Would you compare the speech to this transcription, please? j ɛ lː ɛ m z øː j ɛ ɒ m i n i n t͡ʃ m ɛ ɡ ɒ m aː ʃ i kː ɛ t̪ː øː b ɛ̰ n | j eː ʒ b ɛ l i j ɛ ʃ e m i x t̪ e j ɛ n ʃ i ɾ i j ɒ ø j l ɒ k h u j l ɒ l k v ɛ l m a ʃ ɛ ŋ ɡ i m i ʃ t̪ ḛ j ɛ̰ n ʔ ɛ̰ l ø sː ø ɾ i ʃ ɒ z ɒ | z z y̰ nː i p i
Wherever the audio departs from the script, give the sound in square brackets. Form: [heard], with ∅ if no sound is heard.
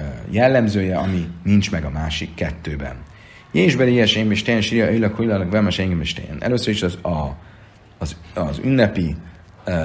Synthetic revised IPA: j ɛ lː ɛ m z øː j ɛ ɒ m i n i n t͡ʃ m ɛ ɡ ɒ m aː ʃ i kː ɛ t̪ː øː b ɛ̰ n | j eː ʒ b ɛ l i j ɛ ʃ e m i [ʃ] t̪ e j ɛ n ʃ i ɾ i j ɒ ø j l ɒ k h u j l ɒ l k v ɛ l m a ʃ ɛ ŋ ɡ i m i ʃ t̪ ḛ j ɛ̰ n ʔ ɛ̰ l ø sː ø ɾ i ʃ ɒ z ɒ | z z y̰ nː [ɛ] p i